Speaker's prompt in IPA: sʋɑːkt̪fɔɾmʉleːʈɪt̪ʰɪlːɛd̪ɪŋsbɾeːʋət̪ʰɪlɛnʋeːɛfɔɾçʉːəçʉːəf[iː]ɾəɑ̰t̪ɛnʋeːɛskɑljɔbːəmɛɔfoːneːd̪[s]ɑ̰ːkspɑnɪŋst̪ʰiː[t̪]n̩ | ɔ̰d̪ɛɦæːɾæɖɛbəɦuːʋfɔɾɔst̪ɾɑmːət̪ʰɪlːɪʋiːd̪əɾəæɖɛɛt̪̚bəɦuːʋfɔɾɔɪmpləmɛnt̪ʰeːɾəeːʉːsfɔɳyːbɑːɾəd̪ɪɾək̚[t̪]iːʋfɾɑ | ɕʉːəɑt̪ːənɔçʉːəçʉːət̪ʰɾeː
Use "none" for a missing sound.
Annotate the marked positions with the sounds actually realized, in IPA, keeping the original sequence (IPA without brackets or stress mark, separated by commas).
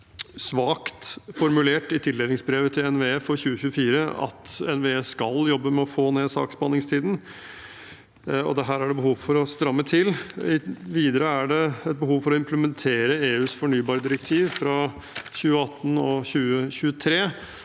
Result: iː, s, d̪, t̪ʰ